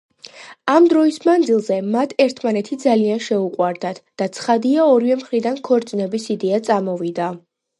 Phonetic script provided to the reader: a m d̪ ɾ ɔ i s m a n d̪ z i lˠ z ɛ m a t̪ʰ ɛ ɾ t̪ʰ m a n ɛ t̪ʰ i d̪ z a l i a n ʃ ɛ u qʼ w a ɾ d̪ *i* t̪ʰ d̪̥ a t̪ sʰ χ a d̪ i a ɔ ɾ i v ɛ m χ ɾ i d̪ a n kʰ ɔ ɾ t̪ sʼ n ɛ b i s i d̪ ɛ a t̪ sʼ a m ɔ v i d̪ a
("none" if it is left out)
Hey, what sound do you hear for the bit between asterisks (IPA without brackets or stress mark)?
a